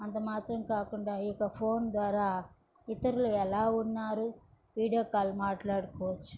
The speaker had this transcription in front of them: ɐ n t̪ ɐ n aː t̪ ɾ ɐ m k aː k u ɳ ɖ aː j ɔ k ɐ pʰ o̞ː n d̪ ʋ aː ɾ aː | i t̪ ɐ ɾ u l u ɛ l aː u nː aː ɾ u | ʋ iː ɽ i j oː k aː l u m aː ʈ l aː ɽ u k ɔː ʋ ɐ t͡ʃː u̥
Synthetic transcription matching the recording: ɐ n t̪ ɐ m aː t̪ ɾ ɐ m k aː k u ɳ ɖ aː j ɔ k ɐ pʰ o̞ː n d̪ ʋ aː ɾ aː | i t̪ ɐ ɾ u l u ɛ l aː u nː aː ɾ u | ʋ iː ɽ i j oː k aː l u m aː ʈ l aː ɽ u k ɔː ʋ ɐ t͡ʃː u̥